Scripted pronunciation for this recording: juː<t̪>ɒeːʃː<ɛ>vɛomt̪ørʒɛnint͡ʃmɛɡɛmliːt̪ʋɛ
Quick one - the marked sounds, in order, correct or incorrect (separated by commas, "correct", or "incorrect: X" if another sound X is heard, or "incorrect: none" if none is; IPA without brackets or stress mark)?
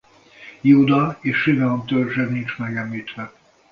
incorrect: d̪, incorrect: i